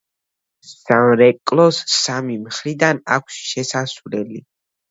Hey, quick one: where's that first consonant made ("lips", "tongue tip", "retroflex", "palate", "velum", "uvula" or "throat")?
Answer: tongue tip